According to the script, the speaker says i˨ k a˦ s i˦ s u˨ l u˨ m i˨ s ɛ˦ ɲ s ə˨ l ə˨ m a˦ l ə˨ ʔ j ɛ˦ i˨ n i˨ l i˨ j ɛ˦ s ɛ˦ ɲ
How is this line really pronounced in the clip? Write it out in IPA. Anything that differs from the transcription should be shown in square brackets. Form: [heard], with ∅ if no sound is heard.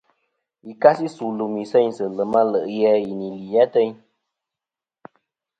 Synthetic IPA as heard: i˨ k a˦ s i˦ s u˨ l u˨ m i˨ s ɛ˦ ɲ s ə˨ l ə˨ m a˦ l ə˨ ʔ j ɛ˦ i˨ n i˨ l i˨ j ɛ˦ [t] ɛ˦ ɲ